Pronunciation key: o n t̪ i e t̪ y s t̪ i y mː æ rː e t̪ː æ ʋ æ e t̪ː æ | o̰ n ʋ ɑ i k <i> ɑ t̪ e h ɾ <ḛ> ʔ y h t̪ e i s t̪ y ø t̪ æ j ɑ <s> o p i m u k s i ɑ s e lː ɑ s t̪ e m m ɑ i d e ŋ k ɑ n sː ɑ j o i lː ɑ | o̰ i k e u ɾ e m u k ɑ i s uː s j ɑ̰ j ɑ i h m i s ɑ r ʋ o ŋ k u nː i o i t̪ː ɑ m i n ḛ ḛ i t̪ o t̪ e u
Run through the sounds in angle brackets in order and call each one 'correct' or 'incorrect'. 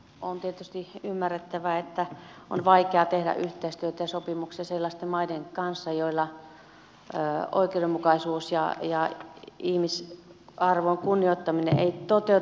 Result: incorrect: e, incorrect: æ̰, correct

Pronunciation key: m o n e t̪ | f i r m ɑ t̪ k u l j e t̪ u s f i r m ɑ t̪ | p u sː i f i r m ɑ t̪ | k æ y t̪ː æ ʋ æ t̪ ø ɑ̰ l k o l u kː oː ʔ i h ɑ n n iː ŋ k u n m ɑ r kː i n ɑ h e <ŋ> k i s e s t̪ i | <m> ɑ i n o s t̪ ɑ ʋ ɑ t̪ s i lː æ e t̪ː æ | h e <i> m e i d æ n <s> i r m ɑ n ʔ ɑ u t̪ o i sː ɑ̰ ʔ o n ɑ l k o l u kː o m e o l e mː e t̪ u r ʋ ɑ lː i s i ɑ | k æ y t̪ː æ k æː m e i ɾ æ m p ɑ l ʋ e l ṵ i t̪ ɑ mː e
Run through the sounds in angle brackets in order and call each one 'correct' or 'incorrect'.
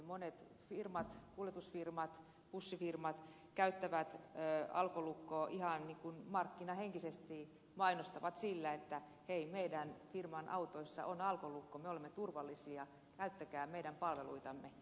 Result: correct, correct, correct, incorrect: f

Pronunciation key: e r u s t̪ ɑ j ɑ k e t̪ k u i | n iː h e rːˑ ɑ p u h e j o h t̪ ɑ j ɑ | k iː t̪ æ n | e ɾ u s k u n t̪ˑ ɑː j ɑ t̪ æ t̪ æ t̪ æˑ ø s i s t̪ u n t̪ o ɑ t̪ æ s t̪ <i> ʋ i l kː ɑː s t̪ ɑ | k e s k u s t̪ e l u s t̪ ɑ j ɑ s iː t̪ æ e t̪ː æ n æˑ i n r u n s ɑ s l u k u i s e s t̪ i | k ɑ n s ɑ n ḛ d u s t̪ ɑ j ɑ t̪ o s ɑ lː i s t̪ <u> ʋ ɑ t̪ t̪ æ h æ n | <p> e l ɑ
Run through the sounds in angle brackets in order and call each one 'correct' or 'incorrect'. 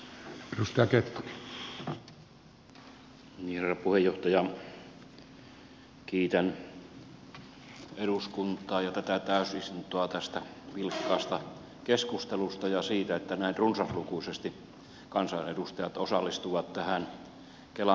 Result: incorrect: æ, correct, incorrect: k

